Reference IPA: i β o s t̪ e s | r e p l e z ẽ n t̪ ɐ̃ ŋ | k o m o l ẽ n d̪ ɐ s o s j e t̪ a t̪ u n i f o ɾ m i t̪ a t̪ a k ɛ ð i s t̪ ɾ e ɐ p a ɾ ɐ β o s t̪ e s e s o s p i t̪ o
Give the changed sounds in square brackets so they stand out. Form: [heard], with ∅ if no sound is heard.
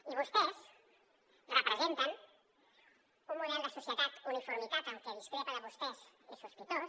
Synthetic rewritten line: i β o s t̪ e s | r e p [ɾ] e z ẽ n t̪ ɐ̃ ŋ | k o m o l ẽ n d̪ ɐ s o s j e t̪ a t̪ u n i f o ɾ m i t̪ a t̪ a k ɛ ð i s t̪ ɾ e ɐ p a ɾ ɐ β o s t̪ e s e s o s p i t̪ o